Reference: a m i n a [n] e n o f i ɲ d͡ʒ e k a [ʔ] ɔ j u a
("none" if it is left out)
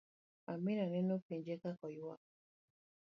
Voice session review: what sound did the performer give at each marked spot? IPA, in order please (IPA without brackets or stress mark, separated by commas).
n, k